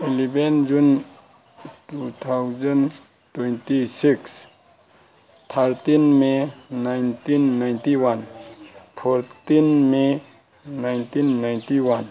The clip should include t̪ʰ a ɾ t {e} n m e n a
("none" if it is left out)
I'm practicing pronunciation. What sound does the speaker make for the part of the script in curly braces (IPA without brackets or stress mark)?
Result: i